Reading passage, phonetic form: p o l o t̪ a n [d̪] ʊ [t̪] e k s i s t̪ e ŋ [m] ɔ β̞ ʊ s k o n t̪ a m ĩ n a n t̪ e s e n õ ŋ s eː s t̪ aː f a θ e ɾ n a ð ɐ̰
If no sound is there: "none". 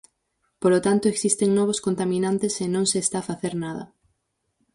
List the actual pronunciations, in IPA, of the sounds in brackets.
t̪, none, n

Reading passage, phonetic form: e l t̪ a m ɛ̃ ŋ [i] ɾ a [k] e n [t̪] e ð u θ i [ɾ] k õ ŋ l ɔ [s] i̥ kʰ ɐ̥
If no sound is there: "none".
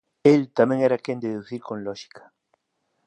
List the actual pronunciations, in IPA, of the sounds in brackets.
ɛ, k, d̪, ɾ, ʃ

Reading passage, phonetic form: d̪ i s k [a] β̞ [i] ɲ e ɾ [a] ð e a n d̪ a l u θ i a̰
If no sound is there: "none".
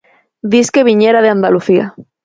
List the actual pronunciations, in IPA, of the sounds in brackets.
e, i, a

